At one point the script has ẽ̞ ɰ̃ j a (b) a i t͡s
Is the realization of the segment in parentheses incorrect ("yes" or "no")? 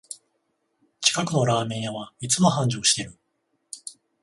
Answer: yes